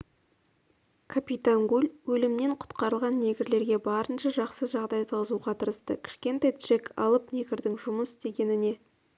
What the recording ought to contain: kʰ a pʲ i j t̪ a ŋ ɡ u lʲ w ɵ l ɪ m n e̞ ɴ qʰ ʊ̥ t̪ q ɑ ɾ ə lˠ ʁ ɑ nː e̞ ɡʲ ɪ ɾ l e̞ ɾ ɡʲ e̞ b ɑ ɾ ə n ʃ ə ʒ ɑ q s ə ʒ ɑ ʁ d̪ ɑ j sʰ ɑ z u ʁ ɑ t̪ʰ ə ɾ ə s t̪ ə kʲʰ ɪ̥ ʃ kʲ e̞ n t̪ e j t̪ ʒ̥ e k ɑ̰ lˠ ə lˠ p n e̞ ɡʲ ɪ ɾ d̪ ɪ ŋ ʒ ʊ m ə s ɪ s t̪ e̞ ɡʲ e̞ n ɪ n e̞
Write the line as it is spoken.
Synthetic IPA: kʰ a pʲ i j t̪ a ŋ ɡ u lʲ w ɵ l ɪ m n e̞ ɴ qʰ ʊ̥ t̪ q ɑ ɾ ə lˠ ʁ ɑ nː e̞ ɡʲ ɪ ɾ l e̞ ɾ ɡʲ e̞ b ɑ ɾ ə n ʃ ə ʒ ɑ q s ə ʒ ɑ ʁ d̪ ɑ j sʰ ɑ z u ʁ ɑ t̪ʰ ə ɾ ə s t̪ ə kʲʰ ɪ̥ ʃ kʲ e̞ n t̪ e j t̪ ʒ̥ e k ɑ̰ lˠ ə p n e̞ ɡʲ ɪ ɾ d̪ ɪ ŋ ʒ ʊ m ə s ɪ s t̪ e̞ ɡʲ e̞ n ɪ n e̞